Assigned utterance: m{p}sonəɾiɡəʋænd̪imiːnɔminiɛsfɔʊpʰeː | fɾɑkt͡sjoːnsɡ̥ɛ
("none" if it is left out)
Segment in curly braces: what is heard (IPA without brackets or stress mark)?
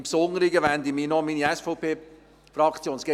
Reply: p